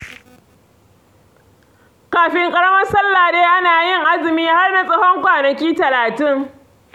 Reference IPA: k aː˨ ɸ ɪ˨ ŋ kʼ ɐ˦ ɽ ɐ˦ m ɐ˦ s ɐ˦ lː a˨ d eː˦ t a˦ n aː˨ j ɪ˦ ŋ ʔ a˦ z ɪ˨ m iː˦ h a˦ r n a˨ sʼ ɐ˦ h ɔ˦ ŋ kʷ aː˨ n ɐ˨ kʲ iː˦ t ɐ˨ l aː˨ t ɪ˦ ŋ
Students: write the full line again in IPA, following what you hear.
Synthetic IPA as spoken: k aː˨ ɸ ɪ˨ ŋ kʼ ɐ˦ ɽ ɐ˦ m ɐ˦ s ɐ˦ lː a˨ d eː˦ ʔ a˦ n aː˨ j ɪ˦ ŋ ʔ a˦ z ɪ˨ m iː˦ h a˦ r n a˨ sʼ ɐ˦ h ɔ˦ ŋ kʷ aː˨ n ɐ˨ kʲ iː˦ t ɐ˨ l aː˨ t ɪ˦ ŋ